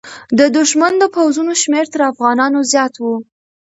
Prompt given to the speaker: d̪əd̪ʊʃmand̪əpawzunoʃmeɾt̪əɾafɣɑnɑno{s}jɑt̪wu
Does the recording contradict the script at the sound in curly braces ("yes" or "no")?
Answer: yes